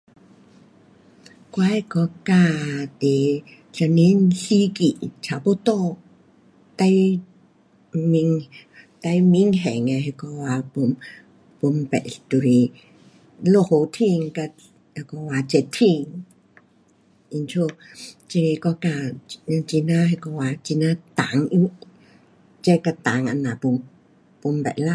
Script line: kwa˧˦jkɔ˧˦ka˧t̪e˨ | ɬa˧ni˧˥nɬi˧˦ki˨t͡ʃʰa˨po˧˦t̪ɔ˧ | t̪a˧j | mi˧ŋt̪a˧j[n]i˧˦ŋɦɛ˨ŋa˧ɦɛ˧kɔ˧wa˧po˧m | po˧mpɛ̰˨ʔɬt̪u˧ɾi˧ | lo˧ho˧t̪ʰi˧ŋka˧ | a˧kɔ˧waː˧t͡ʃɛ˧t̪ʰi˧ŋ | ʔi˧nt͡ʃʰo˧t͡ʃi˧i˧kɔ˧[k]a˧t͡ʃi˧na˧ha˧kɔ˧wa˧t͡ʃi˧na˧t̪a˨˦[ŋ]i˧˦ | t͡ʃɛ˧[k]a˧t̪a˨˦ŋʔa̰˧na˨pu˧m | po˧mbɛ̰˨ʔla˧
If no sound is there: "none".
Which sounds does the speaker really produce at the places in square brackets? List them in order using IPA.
m, k, ŋ, k

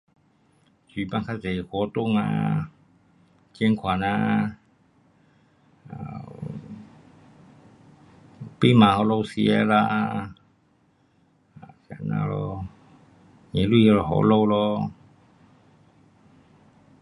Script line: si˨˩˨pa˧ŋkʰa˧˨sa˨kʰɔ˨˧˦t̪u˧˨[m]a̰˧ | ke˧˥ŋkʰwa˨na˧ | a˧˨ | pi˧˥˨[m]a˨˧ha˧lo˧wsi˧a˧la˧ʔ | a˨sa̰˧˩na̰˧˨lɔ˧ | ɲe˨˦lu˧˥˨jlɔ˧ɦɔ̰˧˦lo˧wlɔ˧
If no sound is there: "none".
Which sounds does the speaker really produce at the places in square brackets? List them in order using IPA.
ŋ, m

